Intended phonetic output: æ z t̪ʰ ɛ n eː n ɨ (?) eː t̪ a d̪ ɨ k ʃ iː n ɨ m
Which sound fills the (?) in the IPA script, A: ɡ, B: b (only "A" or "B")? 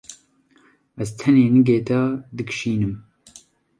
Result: A